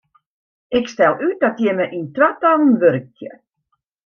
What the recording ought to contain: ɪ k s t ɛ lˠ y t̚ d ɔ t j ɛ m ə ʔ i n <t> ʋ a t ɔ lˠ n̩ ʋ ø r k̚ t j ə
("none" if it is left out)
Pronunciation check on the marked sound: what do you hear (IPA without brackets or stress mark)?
t